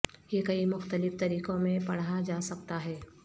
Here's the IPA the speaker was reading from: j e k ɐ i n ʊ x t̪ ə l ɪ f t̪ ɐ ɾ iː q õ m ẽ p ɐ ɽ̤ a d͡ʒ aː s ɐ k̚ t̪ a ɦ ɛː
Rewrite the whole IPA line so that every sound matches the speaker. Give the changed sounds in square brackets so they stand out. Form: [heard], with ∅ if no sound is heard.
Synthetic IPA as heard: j e k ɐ i [m] ʊ x t̪ ə l ɪ f t̪ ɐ ɾ iː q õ m ẽ p ɐ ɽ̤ a d͡ʒ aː s ɐ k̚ t̪ a ɦ ɛː

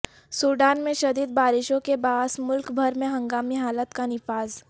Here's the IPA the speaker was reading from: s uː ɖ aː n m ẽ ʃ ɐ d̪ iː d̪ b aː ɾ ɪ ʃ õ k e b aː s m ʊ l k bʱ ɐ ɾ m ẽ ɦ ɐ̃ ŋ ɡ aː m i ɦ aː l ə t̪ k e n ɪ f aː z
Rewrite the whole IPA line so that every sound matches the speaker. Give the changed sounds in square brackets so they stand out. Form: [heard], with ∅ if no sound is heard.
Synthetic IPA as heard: s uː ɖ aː n m ẽ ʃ ɐ d̪ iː d̪ b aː ɾ ɪ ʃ õ k e b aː s m ʊ l k bʱ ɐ ɾ m ẽ ɦ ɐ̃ ŋ ɡ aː m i ɦ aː l ə t̪ k [a] n ɪ f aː z

